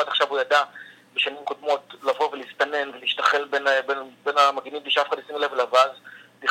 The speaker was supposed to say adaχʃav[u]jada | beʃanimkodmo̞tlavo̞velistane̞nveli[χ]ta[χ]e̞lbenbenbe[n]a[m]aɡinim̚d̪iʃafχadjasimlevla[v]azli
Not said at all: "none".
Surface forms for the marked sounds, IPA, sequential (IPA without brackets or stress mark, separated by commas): u, ʃ, χ, n, m, v